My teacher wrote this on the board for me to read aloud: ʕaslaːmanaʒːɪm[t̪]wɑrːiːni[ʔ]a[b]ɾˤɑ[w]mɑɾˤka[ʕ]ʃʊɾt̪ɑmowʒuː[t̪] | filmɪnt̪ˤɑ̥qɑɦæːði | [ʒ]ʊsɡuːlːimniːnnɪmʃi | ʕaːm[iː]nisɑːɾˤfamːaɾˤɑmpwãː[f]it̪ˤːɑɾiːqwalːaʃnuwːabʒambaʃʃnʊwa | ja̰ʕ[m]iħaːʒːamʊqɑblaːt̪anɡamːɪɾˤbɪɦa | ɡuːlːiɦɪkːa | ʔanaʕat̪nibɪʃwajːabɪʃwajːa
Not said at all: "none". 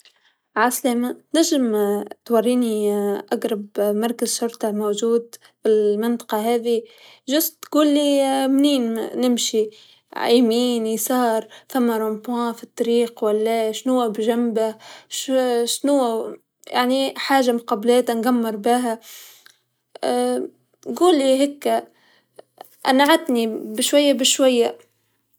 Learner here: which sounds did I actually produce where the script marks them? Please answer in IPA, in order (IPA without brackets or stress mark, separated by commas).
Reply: t̪, ʔ, ɡ, b, z, d̪, ʒ, iː, f, n